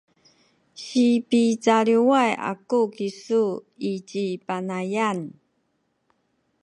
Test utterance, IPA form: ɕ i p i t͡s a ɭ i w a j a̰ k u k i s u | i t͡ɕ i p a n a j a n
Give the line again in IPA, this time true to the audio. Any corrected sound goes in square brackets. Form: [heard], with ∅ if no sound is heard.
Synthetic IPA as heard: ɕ i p i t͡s a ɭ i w a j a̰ k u k i s u | i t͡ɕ i p a n a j a n